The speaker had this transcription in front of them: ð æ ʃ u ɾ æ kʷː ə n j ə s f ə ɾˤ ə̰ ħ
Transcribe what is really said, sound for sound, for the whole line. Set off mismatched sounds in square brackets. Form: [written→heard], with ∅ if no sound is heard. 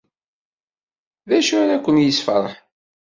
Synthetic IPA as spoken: ð æ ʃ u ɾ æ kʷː ə n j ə s f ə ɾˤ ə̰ ħ